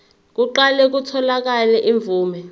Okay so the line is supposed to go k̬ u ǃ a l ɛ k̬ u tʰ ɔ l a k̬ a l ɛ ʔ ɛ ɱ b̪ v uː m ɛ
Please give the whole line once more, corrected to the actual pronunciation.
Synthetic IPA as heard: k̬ u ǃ a l ɛ k̬ u tʰ ɔ l a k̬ a l ɛ ʔ i ɱ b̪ v uː m ɛ